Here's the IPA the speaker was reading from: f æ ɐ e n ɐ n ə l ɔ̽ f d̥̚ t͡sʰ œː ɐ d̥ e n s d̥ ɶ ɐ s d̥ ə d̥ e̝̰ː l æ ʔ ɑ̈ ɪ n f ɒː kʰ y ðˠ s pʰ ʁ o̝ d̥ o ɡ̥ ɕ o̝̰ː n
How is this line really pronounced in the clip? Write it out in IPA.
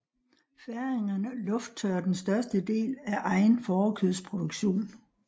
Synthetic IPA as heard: f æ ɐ e ŋ ɐ n ə l ɔ̽ f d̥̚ t͡sʰ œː ɐ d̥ e n s d̥ ɶ ɐ s d̥ ə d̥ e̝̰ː l æ ʔ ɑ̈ ɪ n f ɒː kʰ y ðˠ s pʰ ʁ o̝ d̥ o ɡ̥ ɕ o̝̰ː n